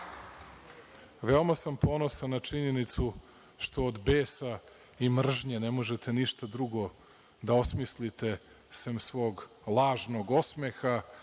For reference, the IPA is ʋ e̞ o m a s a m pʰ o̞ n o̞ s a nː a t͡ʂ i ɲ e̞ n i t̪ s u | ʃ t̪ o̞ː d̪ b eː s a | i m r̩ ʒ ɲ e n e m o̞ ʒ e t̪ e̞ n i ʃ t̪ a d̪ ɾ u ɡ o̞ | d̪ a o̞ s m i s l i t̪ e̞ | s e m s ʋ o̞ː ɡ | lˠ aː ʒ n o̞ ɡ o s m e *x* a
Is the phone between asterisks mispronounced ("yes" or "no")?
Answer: no